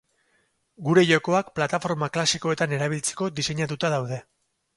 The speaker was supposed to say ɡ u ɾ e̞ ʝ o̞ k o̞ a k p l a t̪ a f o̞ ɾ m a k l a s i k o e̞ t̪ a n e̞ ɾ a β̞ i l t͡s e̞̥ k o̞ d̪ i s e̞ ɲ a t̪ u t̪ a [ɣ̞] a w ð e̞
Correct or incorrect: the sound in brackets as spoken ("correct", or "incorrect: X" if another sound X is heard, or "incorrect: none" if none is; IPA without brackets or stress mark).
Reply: incorrect: ð̞